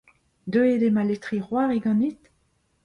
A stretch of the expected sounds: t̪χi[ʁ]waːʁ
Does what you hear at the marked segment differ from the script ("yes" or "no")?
no